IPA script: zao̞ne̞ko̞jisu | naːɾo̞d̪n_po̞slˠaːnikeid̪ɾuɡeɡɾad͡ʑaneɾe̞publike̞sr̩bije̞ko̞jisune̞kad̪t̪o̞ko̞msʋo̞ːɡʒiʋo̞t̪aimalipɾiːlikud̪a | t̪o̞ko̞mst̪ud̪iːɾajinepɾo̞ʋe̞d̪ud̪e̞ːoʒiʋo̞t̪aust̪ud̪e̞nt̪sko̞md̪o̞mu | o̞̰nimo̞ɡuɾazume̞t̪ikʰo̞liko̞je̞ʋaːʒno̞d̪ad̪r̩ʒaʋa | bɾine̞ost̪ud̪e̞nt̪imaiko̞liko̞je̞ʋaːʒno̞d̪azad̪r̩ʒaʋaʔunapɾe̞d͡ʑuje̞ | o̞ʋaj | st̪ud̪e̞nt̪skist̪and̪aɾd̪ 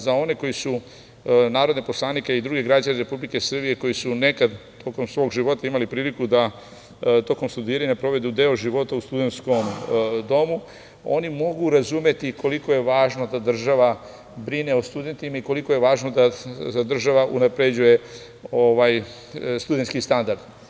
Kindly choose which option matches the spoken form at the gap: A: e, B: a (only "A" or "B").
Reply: A